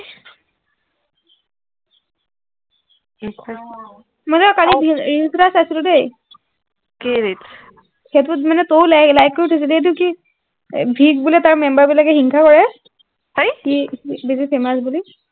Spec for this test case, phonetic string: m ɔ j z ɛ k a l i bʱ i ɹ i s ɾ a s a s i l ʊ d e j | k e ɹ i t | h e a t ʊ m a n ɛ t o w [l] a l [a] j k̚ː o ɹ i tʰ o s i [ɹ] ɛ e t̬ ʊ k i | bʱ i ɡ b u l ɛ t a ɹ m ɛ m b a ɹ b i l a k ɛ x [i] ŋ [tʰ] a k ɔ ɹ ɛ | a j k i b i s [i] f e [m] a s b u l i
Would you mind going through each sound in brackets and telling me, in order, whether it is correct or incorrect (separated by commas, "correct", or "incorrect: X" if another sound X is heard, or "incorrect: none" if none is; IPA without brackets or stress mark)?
correct, correct, incorrect: l, correct, incorrect: kʰ, correct, correct